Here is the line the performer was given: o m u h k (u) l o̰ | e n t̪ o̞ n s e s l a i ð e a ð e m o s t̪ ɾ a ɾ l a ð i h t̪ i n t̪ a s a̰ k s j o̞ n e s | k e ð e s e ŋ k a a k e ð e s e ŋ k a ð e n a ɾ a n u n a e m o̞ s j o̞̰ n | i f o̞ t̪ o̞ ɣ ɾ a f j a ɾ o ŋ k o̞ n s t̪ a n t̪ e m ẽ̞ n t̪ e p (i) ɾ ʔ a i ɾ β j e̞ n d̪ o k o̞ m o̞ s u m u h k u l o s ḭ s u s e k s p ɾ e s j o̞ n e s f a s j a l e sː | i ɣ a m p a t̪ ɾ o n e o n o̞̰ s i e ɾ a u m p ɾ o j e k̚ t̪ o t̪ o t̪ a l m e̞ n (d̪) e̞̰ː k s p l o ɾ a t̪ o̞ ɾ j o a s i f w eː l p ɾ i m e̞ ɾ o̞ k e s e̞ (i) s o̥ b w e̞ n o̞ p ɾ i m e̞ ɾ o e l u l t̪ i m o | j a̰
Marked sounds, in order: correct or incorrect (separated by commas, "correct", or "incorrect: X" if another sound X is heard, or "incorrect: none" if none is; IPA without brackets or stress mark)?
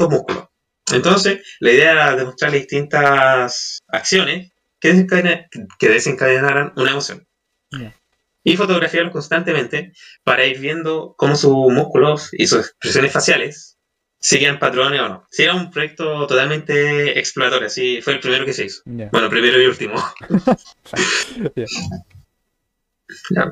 correct, incorrect: a, incorrect: t̪, correct